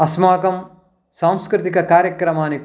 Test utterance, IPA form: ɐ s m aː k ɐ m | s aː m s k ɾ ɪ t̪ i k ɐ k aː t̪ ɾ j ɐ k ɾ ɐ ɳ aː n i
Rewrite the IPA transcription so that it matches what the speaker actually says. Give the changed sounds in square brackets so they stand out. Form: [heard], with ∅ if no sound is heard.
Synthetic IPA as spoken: ɐ s m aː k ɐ m | s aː m s k ɾ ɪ t̪ i k ɐ k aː [∅] ɾ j ɐ k ɾ ɐ [m] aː n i